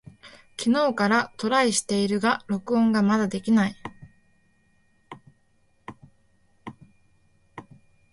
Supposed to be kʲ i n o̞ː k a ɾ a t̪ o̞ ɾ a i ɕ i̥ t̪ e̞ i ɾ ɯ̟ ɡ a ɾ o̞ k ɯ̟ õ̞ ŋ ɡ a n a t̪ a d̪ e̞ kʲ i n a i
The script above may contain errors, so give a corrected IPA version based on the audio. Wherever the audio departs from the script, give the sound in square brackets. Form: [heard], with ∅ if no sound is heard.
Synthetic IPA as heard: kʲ i n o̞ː k a ɾ a t̪ o̞ ɾ a i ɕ i̥ t̪ e̞ i ɾ ɯ̟ ɡ a ɾ o̞ k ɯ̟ õ̞ ŋ ɡ a [m] a [d̪] a d̪ e̞ kʲ i n a i